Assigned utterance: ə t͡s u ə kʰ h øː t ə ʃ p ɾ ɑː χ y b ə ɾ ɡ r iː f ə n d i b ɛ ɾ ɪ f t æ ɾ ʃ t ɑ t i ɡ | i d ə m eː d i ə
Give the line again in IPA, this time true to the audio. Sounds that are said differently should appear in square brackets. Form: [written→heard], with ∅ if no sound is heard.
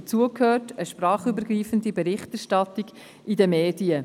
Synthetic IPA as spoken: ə t͡s u ə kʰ h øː t ə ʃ p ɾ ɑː χ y b ə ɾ ɡ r iː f ə n d i b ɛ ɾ ɪ [f→χ] t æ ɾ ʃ t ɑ t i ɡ | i d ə m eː d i ə